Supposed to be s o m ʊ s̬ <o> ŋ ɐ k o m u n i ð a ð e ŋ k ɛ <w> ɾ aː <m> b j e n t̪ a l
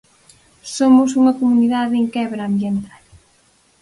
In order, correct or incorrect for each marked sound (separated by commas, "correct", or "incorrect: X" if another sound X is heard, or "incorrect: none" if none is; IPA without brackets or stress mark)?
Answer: incorrect: u, incorrect: β, correct